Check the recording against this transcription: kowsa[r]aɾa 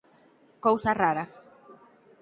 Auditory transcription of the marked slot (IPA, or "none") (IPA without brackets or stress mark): r